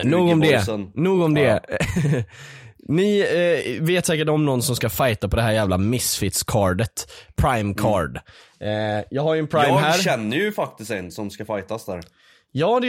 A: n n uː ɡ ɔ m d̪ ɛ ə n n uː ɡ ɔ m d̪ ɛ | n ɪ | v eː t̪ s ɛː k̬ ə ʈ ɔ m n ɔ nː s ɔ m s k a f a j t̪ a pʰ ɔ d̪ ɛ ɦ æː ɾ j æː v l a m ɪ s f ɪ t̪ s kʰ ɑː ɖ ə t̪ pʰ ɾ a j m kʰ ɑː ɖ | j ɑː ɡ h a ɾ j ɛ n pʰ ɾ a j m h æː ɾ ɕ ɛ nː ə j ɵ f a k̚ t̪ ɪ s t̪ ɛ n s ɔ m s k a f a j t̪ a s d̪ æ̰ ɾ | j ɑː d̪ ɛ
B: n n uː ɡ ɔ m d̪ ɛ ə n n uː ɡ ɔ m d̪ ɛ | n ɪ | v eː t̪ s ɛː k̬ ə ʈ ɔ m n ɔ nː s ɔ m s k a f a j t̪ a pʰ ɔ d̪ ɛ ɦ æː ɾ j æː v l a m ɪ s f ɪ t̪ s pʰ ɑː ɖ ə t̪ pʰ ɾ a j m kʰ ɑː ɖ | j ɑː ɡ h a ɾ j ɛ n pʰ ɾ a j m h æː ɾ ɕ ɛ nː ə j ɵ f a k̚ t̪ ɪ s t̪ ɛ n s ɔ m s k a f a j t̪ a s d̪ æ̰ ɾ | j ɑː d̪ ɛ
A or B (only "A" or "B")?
A